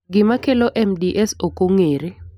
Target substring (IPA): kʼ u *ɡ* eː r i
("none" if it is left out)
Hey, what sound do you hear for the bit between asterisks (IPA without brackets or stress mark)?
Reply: ŋ